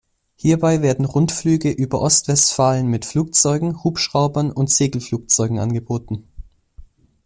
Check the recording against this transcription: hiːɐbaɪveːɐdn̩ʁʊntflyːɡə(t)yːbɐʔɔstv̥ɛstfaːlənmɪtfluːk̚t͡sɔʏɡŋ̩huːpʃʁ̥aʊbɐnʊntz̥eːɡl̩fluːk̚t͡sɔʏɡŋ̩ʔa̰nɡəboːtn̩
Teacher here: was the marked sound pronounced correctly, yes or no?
no